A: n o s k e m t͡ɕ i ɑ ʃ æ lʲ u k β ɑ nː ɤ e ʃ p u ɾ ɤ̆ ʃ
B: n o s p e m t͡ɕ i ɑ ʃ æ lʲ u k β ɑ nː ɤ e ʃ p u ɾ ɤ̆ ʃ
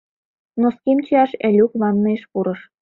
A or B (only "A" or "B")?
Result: A